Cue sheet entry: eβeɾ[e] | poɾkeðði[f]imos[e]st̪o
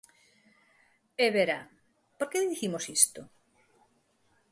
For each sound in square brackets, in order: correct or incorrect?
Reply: incorrect: a, incorrect: θ, incorrect: i

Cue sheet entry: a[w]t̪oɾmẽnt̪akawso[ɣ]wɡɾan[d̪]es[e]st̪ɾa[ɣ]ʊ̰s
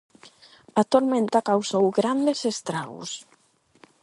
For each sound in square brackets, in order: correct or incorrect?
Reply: incorrect: none, incorrect: none, correct, correct, correct

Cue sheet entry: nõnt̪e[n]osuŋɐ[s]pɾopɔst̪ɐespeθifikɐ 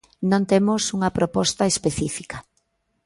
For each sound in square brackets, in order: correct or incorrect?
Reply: incorrect: m, incorrect: none

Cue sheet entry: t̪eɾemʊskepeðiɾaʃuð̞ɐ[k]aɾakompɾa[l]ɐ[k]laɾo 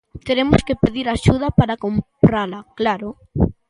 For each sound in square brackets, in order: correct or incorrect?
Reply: incorrect: p, correct, correct

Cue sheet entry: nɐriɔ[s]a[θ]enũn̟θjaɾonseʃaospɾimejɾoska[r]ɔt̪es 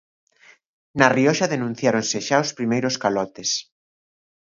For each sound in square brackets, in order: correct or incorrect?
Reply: incorrect: ʃ, incorrect: ð, incorrect: l

